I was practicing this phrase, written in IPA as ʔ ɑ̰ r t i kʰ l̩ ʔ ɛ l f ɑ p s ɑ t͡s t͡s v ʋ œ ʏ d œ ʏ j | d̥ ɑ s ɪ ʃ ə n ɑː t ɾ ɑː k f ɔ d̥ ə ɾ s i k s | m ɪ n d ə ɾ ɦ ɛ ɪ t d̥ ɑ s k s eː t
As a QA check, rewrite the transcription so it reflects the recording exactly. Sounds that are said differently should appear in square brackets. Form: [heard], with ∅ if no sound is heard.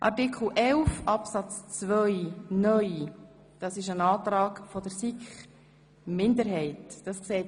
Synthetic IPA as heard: ʔ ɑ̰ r t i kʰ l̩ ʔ ɛ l f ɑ p s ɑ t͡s t͡s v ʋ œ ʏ [n] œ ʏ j | d̥ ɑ s ɪ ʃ ə n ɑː t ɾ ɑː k f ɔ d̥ ə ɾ s i k [χ] | m ɪ n d ə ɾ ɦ ɛ ɪ t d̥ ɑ s k s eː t